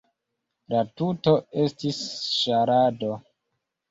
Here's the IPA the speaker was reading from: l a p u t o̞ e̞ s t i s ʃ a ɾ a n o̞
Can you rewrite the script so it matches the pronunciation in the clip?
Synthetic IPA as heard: l a t u t o̞ e̞ s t i s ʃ a ɾ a d o̞